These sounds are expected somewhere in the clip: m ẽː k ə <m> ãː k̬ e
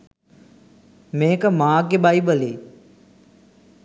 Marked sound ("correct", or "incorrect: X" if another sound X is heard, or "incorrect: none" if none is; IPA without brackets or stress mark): correct